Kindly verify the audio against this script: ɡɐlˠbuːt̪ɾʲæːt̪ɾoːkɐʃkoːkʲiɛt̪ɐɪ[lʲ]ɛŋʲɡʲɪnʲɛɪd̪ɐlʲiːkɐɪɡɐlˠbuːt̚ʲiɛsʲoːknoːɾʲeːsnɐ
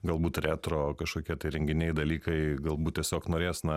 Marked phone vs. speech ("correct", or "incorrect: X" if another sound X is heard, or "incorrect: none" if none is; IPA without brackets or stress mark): incorrect: ɾʲ